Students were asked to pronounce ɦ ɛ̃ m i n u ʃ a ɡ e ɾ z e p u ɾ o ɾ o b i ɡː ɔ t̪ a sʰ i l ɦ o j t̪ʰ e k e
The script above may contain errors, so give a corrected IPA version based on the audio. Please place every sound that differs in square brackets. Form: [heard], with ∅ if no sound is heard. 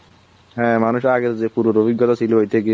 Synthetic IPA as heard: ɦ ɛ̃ m [a] n u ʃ a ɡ e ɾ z e p u ɾ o ɾ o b i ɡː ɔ t̪ a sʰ i l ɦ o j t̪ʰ e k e

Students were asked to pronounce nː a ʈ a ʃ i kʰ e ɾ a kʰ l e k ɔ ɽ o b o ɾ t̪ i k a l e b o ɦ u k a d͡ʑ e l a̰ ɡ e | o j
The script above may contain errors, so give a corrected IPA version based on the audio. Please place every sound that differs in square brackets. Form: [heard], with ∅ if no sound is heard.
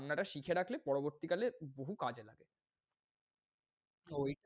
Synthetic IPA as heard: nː a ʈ a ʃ i kʰ e ɾ a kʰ l e [p] ɔ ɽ o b o ɾ t̪ i k a l e b o ɦ u k a d͡ʑ e l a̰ ɡ e | o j

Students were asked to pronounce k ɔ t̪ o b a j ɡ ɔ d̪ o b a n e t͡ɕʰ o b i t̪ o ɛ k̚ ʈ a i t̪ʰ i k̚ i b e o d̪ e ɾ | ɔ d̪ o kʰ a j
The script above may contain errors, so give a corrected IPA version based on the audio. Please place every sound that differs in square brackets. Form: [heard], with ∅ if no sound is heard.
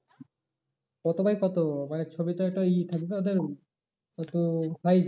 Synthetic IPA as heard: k ɔ t̪ o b a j [k] ɔ [t̪] o [m] a n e t͡ɕʰ o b i t̪ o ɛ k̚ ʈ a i t̪ʰ [a] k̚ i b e o d̪ e ɾ | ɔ [t̪] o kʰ a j

